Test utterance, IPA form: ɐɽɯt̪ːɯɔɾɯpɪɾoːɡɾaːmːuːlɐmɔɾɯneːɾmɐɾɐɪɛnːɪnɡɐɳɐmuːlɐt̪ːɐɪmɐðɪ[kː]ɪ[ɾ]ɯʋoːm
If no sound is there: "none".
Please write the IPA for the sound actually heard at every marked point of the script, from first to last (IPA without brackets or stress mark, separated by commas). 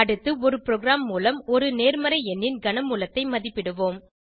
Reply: pː, ɽ